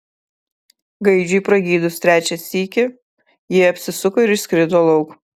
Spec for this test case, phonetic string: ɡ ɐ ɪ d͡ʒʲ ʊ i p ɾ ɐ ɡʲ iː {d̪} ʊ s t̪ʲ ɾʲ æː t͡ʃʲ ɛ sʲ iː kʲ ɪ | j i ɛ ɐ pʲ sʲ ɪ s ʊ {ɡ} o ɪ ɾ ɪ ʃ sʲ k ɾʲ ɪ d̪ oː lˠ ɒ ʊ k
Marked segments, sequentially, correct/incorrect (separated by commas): correct, incorrect